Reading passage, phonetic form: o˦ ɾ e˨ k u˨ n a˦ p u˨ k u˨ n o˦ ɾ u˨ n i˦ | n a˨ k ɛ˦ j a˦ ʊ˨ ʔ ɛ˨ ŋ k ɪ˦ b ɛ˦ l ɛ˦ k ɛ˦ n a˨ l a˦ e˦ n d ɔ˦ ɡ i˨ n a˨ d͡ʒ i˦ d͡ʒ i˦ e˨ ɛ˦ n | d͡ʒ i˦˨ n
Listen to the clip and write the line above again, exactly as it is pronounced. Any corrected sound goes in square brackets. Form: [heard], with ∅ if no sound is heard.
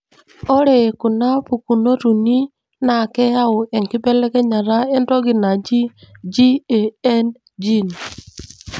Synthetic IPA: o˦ ɾ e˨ k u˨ n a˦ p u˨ k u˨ n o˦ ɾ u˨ n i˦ | n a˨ k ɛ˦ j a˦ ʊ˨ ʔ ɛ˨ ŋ k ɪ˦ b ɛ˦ l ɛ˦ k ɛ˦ [ɲ] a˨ [ɾ] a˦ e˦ n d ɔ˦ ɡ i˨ n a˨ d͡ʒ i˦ d͡ʒ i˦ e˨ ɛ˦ n | d͡ʒ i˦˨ n